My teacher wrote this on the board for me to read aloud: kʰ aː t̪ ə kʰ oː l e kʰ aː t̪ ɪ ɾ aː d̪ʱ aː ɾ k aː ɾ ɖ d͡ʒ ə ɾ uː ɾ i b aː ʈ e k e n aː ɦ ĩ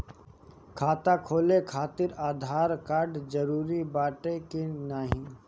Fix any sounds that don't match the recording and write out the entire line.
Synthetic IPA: kʰ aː t̪ a kʰ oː l e kʰ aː t̪ ɪ ɾ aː d̪ʱ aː ɾ k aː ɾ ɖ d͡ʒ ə ɾ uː ɾ i b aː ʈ e k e n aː ɦ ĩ